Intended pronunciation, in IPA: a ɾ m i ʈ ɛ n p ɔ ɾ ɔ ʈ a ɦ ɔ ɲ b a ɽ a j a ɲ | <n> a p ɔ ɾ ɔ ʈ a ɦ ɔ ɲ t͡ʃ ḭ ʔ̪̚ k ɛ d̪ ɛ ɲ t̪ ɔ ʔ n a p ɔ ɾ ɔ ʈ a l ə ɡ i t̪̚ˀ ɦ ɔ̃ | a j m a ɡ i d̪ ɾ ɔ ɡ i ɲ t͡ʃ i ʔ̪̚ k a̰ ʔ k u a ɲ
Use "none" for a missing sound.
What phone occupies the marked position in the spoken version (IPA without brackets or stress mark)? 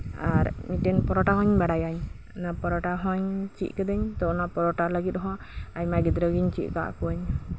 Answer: n